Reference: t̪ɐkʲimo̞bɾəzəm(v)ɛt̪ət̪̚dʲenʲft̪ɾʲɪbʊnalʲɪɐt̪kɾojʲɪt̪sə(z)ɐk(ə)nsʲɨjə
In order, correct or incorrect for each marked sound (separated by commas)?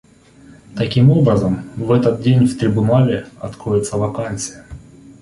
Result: correct, incorrect, incorrect